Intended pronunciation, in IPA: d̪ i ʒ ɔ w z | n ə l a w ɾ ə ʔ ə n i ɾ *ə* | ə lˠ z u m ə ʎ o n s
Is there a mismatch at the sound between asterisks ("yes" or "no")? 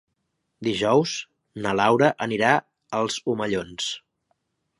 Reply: yes